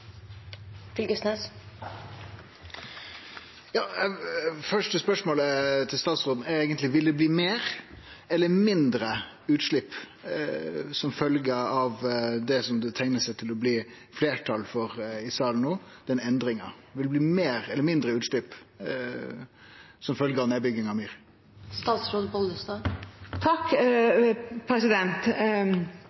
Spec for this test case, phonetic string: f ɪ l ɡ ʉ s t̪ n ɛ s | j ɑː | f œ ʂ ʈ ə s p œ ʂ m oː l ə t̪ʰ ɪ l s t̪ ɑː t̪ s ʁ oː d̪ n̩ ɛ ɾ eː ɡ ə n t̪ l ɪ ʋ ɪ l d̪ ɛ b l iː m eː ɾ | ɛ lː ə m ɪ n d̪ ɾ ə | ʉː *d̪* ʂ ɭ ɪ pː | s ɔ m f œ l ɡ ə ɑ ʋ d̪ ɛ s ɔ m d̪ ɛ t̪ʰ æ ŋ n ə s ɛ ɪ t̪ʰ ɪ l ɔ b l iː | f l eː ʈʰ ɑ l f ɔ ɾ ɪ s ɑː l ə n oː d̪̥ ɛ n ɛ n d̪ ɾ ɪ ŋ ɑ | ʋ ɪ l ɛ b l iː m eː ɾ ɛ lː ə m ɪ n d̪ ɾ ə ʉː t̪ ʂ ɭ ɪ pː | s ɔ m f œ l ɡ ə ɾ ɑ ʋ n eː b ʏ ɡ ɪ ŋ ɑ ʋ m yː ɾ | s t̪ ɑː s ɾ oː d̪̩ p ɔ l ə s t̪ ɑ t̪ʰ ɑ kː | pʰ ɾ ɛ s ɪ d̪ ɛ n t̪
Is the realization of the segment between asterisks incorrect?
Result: yes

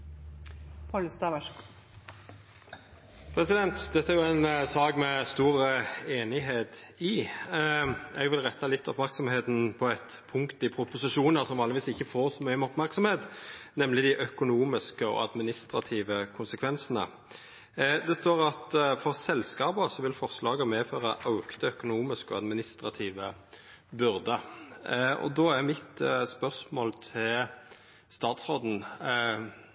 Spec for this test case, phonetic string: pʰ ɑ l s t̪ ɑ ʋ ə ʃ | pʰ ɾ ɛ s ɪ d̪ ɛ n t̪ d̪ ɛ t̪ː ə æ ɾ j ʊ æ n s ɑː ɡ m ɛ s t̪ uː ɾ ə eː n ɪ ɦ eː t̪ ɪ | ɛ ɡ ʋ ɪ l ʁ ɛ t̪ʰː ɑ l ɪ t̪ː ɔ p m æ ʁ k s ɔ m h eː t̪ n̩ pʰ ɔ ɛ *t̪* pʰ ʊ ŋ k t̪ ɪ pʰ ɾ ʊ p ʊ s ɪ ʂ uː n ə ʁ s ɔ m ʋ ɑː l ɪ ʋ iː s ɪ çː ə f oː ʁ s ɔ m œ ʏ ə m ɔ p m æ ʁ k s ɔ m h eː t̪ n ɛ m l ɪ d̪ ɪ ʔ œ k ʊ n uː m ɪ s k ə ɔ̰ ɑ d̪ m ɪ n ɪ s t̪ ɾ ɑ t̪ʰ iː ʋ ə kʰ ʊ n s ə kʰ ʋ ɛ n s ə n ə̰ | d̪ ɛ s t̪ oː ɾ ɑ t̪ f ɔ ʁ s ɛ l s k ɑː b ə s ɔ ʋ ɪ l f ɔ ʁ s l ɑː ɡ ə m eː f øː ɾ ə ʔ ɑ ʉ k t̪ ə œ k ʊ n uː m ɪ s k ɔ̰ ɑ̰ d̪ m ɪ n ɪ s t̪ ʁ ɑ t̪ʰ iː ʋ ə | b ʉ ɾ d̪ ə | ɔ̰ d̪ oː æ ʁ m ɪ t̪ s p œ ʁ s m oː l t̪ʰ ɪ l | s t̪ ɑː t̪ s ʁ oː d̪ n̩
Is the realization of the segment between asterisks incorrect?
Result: no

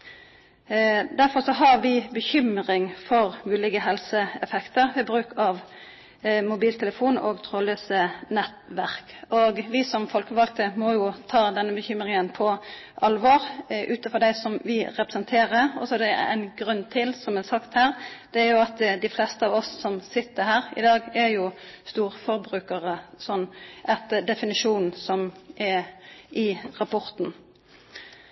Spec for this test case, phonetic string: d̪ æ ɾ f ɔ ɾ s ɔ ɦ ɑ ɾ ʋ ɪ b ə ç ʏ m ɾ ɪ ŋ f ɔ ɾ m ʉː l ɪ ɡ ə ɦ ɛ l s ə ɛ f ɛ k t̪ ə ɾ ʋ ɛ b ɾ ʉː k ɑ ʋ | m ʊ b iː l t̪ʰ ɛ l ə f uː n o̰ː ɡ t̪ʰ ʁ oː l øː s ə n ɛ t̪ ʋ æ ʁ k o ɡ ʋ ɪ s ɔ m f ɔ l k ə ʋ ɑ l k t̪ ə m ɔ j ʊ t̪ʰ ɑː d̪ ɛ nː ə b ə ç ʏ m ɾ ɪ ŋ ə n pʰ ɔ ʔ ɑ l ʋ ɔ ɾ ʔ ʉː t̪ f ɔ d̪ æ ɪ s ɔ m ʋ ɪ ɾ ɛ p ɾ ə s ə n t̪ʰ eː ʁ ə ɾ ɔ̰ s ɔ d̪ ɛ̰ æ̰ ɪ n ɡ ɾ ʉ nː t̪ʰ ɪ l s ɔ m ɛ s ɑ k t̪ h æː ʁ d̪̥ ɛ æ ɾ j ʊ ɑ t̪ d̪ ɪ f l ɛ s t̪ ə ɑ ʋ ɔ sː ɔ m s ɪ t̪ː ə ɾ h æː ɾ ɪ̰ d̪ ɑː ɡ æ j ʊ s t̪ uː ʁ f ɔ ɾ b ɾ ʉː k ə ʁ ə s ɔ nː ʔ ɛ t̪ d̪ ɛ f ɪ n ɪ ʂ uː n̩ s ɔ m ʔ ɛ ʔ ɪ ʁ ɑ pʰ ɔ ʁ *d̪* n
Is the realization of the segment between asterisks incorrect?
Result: yes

